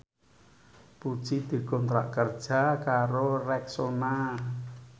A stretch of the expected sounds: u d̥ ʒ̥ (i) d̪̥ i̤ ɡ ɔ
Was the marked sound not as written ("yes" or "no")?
no